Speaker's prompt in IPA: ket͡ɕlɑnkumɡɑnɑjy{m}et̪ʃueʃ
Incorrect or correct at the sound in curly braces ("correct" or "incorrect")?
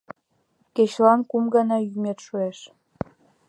correct